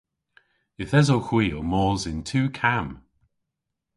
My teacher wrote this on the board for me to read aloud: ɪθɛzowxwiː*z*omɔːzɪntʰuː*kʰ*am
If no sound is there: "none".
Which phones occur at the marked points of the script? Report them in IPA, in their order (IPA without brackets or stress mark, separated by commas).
none, kʰ